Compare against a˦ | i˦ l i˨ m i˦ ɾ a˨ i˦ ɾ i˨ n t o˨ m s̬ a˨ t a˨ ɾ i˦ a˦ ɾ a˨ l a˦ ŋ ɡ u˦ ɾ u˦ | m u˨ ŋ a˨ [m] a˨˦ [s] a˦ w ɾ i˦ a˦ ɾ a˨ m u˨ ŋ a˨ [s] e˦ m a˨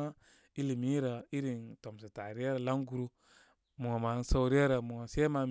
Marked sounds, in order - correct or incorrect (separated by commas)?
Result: correct, correct, correct